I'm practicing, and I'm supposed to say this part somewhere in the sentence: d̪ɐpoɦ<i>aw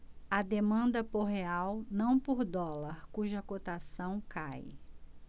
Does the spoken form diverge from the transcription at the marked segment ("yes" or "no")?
yes